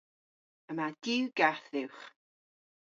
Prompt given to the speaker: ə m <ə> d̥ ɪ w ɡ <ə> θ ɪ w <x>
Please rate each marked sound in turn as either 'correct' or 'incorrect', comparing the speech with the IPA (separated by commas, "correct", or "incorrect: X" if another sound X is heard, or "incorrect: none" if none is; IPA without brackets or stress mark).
incorrect: a, incorrect: a, incorrect: χ